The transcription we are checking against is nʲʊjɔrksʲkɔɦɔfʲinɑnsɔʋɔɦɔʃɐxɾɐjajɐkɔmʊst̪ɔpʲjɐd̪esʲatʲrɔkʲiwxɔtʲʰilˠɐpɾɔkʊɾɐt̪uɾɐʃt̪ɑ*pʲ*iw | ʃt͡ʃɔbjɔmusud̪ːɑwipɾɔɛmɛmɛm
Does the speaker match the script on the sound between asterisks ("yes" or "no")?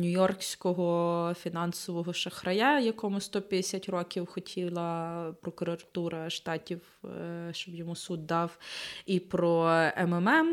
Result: no